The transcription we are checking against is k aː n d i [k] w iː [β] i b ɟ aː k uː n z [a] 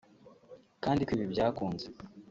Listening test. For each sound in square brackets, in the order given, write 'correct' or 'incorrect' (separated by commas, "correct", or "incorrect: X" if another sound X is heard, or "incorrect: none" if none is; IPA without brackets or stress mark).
correct, correct, incorrect: e